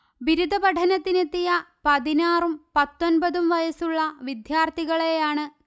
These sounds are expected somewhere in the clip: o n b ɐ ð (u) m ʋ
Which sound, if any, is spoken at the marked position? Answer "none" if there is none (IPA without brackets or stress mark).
u